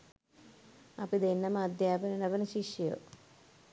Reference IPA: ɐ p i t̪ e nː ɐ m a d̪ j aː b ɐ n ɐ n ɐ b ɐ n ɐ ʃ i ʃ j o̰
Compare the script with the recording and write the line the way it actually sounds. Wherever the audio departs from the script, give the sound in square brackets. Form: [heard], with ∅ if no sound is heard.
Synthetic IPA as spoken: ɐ p i [d̪] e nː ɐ m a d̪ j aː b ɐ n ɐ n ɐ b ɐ n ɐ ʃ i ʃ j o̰